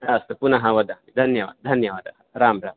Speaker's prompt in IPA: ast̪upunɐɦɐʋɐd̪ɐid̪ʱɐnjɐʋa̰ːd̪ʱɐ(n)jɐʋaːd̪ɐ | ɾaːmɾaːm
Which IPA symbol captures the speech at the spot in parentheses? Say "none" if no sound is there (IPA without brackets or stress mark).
n